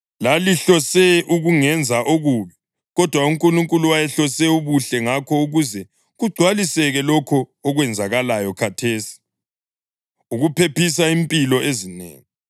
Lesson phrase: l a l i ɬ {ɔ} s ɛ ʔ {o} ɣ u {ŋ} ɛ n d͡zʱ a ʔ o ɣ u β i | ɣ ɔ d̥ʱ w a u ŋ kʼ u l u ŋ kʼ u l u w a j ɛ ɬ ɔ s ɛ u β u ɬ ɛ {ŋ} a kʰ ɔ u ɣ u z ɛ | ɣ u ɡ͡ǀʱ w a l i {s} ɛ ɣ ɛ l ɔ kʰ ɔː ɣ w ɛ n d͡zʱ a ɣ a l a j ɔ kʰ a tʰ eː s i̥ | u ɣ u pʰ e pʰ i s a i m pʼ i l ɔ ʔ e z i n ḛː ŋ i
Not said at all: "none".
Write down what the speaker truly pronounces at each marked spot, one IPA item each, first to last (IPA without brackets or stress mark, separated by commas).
ɔ, u, ŋ, ŋ, s